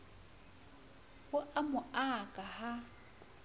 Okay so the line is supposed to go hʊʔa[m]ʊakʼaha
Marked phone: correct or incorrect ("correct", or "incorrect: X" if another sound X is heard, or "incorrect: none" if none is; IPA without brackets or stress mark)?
correct